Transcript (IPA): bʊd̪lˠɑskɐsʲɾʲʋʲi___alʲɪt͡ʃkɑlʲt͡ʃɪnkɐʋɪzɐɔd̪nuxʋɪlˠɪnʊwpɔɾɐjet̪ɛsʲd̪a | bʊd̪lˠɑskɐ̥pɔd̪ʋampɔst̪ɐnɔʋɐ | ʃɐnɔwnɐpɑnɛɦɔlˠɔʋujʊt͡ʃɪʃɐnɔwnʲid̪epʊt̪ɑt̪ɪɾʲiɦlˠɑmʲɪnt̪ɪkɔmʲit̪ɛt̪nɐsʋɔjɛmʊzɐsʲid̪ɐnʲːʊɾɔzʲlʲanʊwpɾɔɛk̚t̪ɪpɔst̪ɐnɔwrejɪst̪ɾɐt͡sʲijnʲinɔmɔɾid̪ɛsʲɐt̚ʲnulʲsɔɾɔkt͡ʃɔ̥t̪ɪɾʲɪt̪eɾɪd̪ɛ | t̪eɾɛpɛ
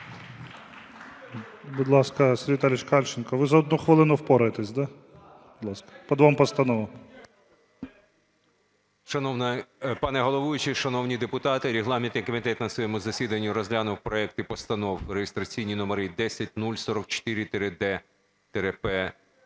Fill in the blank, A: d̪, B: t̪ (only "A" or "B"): B